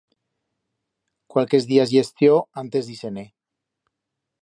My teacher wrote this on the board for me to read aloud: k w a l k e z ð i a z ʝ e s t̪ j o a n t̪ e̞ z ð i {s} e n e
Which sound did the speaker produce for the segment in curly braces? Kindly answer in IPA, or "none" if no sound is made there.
s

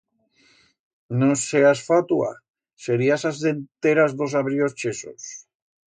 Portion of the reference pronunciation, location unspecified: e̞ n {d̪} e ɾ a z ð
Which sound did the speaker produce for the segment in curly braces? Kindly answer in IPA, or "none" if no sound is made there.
t̪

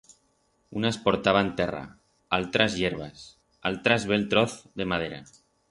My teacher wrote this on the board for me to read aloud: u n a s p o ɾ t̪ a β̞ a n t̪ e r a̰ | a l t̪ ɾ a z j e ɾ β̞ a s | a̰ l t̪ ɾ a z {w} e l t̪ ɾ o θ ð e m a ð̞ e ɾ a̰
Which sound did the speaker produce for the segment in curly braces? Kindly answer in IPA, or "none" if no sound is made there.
β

